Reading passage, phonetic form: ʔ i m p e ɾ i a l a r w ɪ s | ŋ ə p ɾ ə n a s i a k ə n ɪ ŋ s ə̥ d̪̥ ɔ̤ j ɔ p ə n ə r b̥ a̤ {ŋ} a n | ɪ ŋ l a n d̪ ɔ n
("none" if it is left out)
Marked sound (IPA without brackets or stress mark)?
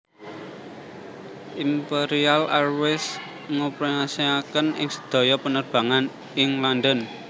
ŋ